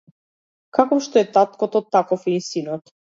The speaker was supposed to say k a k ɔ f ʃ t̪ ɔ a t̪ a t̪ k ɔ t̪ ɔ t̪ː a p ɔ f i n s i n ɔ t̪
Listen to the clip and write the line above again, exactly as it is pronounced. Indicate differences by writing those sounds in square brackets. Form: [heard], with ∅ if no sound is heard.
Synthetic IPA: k a k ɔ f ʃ t̪ ɔ [ɛ] t̪ a t̪ k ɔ t̪ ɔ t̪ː a [k] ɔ f i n s i n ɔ t̪